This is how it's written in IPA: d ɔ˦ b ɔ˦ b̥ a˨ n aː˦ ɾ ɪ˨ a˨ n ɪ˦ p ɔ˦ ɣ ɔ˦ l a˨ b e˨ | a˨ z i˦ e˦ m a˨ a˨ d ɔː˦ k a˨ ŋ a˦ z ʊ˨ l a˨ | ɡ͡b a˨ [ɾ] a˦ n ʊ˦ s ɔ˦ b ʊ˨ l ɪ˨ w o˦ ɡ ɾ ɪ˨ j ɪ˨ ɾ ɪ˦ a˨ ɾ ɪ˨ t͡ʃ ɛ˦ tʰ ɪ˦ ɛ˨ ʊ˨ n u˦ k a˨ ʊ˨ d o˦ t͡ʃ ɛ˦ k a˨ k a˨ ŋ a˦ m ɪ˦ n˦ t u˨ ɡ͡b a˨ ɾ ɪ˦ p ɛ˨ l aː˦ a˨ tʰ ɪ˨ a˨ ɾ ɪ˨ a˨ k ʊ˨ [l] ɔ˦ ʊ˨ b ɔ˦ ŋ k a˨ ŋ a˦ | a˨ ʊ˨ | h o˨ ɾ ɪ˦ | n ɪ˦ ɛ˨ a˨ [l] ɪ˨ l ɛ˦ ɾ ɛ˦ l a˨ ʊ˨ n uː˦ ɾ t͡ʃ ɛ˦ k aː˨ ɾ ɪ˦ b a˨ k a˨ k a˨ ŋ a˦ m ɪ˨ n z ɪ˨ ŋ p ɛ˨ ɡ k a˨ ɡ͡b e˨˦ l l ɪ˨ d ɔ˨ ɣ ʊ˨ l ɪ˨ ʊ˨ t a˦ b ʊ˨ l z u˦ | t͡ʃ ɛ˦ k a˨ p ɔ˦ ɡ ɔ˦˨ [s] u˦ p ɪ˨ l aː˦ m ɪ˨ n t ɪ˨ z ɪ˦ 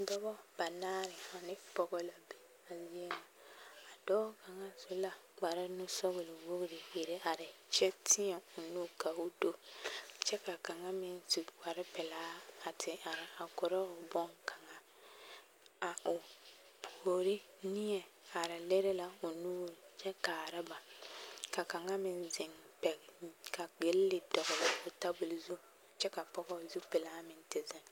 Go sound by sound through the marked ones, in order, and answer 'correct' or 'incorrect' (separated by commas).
correct, incorrect, incorrect, incorrect